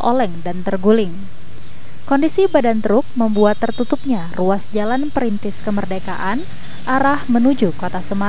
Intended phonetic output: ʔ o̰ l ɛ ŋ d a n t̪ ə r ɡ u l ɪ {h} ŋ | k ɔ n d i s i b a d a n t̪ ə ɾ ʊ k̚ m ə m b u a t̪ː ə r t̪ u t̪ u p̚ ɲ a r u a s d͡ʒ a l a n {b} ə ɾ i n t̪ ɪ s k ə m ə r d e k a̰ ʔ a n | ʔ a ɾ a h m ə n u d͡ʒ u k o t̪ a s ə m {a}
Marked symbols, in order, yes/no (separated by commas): no, no, yes